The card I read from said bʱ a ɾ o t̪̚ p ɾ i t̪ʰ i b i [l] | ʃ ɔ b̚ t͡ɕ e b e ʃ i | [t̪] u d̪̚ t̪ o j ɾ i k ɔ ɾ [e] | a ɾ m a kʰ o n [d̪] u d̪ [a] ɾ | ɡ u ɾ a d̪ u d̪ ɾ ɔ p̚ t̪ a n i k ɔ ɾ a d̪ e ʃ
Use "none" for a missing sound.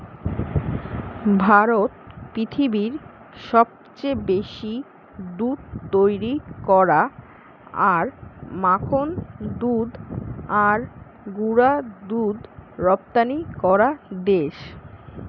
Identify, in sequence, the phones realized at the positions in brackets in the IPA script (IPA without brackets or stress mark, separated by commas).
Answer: ɾ, d̪, a, d̪, a